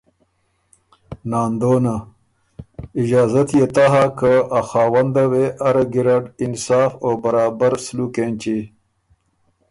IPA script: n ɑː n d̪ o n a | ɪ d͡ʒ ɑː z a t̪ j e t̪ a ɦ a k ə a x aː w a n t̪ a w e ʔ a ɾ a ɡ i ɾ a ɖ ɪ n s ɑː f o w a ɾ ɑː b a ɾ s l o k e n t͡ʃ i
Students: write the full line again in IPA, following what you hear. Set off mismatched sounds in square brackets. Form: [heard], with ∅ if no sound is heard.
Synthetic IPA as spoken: n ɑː n d̪ o n a | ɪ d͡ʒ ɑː z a t̪ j e t̪ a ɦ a k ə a x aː w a n [d̪] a w e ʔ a ɾ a ɡ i ɾ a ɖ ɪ n s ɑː f o [b] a ɾ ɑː b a ɾ s l [u] k e n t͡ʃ i